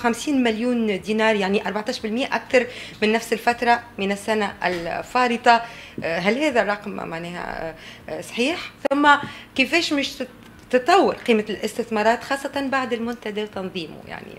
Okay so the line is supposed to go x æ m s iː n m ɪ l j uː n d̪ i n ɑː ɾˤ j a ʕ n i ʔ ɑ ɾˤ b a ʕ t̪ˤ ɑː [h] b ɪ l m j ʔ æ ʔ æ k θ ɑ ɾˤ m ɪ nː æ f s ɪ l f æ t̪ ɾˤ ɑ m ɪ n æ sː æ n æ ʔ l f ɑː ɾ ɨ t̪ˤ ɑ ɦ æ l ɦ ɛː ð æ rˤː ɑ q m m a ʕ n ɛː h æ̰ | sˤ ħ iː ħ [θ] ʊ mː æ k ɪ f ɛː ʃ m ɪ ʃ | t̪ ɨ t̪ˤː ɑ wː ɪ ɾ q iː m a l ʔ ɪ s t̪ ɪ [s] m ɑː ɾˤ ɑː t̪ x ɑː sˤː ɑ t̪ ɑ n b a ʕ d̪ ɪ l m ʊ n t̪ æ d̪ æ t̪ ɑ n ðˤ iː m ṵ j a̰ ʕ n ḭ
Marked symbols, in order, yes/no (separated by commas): no, yes, no